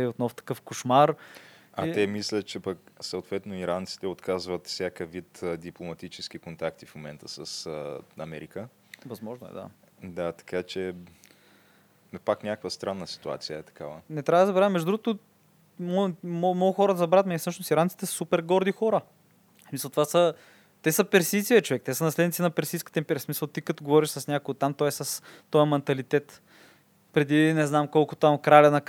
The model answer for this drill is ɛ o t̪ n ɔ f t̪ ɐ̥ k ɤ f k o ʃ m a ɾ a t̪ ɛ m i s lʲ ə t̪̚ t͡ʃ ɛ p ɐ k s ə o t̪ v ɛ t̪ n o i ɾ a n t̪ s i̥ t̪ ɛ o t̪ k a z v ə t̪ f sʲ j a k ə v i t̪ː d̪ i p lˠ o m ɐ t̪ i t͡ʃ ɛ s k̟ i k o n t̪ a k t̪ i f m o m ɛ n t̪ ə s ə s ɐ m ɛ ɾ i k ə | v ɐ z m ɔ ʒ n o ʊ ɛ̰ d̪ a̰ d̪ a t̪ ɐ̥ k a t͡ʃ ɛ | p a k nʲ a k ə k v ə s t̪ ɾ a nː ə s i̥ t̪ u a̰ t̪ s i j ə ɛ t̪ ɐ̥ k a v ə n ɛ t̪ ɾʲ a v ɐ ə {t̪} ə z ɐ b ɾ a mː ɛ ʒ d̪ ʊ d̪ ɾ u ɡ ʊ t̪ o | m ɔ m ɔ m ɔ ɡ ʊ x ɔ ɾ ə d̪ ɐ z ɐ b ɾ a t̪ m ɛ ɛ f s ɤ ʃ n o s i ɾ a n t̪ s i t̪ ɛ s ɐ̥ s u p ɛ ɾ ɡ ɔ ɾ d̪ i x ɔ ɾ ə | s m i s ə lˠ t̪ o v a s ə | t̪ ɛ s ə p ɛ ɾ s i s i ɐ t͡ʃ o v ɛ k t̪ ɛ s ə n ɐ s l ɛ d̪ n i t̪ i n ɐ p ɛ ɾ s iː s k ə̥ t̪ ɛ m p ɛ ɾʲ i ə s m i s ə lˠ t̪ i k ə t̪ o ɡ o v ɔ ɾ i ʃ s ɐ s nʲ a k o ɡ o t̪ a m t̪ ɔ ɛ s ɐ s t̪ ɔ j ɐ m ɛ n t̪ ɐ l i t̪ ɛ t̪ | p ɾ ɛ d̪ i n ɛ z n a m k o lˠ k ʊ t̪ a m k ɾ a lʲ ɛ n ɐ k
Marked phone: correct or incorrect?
incorrect